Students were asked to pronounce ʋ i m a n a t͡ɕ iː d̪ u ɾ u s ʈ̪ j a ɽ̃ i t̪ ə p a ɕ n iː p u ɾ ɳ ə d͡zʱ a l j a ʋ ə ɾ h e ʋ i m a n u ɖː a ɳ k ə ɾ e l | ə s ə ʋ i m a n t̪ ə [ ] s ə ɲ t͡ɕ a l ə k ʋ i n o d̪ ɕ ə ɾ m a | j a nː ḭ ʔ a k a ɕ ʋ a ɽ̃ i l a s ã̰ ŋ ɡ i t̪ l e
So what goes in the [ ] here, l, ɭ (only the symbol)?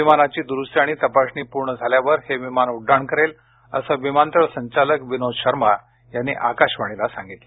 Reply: ɭ